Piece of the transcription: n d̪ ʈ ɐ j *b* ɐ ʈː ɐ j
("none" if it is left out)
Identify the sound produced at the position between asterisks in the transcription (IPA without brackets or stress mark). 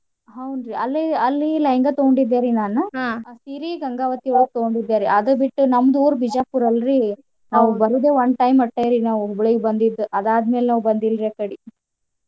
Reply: m